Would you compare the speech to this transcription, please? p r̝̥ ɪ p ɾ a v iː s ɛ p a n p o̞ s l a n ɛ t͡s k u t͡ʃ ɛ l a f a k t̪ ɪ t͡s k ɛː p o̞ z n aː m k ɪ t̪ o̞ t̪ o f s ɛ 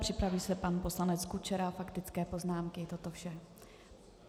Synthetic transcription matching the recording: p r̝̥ ɪ p ɾ a v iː s ɛ p a n p o̞ s l a n ɛ t͡s k u t͡ʃ ɛ ɾ a f a k t̪ ɪ t͡s k ɛː p o̞ z n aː m k ɪ t̪ o̞ t̪ o f ʃ ɛ